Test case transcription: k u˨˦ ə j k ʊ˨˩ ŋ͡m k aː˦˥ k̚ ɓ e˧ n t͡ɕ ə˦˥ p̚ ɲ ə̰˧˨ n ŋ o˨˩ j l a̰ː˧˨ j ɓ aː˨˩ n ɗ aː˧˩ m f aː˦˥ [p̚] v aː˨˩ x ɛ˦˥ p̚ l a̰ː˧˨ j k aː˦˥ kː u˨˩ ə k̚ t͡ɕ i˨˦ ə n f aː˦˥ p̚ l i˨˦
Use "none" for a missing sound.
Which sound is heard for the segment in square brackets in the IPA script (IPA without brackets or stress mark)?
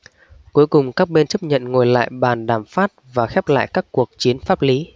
t̚